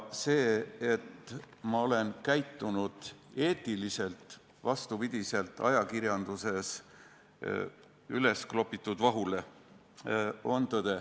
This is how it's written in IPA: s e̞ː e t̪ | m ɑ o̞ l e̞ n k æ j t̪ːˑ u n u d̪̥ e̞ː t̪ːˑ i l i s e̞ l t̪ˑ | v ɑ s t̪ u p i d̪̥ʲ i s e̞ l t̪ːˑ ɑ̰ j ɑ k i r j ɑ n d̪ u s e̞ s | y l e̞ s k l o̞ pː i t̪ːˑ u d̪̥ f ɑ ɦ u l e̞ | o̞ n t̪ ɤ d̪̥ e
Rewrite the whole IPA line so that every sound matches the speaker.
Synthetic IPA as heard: s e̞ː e t̪ | m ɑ o̞ l e̞ n k æ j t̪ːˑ u n u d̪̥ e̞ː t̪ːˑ i l i s e̞ l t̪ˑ | v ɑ s t̪ u p i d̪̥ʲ i s e̞ l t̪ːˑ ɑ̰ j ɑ k i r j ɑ n d̪ u s e̞ s | y l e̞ s k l o̞ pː i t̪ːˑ u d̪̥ v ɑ ɦ u l e̞ | o̞ n t̪ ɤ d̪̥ e